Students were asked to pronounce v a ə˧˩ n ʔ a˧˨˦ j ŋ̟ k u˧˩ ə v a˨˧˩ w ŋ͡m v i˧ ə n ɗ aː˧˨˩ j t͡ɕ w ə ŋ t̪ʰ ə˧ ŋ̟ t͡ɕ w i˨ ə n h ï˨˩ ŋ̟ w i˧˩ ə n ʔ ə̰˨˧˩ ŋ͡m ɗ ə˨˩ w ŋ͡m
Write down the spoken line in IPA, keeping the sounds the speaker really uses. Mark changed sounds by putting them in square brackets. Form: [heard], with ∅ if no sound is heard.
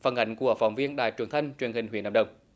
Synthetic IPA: [f] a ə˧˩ n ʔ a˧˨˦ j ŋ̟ k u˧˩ ə [f] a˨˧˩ w ŋ͡m v i˧ ə n ɗ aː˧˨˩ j t͡ɕ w ə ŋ t̪ʰ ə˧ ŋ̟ t͡ɕ w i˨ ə n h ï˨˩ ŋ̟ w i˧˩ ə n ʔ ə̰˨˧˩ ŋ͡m ɗ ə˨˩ w ŋ͡m

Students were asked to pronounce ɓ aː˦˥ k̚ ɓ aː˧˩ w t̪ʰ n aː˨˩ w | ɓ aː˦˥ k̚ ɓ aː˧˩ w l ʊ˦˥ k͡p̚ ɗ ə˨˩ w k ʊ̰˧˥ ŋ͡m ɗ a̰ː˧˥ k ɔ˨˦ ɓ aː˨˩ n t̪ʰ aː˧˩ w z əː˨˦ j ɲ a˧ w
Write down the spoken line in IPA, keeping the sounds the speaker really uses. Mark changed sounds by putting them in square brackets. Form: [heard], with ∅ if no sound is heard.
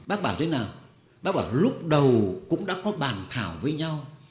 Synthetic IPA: ɓ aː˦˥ k̚ ɓ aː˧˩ w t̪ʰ n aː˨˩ w | ɓ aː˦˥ k̚ ɓ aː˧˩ w l ʊ˦˥ k͡p̚ ɗ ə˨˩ w k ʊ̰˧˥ ŋ͡m ɗ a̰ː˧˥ k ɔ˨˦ ɓ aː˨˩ n t̪ʰ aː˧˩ w [v] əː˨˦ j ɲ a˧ w

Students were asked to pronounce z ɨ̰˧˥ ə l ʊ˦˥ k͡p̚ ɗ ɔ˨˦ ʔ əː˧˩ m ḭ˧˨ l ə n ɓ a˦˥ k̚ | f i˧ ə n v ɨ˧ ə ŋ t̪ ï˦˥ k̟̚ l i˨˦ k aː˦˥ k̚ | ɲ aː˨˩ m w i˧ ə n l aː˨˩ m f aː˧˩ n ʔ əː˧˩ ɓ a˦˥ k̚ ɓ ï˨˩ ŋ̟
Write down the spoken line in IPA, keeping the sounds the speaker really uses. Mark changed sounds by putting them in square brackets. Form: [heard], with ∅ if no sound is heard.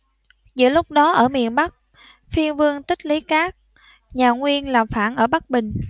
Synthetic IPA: z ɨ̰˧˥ ə l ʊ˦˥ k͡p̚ ɗ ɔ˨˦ ʔ əː˧˩ m ḭ˧˨ [∅] ə n ɓ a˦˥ k̚ | f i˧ ə n v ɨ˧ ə ŋ t̪ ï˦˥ k̟̚ l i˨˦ k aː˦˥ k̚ | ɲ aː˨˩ [ŋ] w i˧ ə n l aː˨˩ m f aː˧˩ n ʔ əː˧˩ ɓ a˦˥ k̚ ɓ ï˨˩ ŋ̟

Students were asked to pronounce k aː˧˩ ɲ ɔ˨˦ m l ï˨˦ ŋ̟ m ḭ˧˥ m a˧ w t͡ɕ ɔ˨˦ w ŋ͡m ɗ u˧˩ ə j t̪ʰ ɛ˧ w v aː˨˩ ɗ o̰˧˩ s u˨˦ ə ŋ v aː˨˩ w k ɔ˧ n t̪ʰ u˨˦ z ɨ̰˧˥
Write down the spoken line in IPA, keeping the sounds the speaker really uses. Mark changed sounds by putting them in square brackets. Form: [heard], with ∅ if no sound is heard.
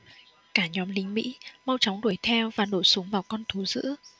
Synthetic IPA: k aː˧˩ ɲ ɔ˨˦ m l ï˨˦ ŋ̟ m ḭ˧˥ m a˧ w t͡ɕ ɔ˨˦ w ŋ͡m ɗ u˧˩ ə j t̪ʰ ɛ˧ w v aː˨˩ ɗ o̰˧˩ s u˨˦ ə ŋ v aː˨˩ w k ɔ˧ n t̪ʰ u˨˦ z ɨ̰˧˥

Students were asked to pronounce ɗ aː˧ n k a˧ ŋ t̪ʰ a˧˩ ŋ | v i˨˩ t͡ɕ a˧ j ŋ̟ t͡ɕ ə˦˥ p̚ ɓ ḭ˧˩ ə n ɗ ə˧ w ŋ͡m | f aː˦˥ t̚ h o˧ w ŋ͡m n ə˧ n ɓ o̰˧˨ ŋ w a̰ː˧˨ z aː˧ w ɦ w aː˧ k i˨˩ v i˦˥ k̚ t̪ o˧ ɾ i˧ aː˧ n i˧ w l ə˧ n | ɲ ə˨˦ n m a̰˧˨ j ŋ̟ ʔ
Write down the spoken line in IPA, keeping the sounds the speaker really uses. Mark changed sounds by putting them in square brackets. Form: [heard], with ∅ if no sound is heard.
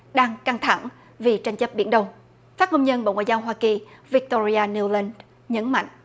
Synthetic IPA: ɗ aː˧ [ŋ] k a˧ ŋ t̪ʰ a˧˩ ŋ | v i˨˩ t͡ɕ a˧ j ŋ̟ t͡ɕ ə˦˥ p̚ ɓ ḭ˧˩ ə n ɗ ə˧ w ŋ͡m | f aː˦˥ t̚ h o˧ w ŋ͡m [ɲ] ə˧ n ɓ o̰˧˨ ŋ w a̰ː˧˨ z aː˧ w ɦ w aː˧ k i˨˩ v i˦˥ k̚ t̪ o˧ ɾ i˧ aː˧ n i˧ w l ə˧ n | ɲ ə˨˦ n m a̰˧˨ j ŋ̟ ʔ

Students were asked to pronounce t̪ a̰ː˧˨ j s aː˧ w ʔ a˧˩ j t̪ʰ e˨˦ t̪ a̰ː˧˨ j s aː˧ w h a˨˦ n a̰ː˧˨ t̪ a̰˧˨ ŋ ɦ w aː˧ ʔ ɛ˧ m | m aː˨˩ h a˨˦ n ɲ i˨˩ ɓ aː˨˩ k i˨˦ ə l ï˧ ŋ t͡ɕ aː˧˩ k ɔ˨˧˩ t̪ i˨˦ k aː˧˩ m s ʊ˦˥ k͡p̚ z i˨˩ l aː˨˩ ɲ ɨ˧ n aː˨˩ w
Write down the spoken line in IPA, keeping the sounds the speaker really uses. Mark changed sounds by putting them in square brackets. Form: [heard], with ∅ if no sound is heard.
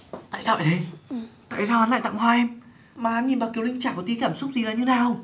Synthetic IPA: t̪ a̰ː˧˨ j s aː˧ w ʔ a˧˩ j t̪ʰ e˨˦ t̪ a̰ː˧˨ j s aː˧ w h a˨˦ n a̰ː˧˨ t̪ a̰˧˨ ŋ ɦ w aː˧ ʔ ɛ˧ m | m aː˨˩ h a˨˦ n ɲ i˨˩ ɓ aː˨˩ k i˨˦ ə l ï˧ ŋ t͡ɕ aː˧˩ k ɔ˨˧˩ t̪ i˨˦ k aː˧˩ m s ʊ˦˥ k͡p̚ z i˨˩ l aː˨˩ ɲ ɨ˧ n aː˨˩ w

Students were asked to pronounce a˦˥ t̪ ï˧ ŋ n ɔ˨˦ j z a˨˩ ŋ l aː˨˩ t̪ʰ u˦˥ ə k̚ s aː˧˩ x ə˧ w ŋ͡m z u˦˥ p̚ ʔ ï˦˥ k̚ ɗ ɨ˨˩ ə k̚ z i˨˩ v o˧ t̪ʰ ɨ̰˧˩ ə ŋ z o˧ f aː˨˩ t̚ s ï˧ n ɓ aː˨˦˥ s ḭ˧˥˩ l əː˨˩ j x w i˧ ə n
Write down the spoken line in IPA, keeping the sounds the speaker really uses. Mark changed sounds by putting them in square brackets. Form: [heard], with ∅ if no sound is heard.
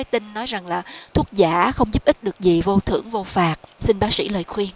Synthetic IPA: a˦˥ t̪ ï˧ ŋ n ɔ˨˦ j z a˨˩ ŋ l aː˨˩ t̪ʰ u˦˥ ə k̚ [z] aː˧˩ x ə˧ w ŋ͡m z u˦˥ p̚ ʔ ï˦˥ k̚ ɗ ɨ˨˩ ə k̚ z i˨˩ v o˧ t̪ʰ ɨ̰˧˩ ə ŋ [v] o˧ f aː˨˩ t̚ s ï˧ n ɓ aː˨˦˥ s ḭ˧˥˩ l əː˨˩ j x w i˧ ə n

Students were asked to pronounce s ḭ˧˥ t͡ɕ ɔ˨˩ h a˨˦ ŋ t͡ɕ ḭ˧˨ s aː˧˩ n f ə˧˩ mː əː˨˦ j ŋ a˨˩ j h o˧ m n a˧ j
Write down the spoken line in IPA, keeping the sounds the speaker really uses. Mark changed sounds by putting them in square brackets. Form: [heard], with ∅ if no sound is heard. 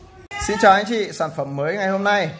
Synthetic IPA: s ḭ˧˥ t͡ɕ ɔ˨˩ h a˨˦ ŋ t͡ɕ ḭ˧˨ s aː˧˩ n f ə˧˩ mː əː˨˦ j ŋ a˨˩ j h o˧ m n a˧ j

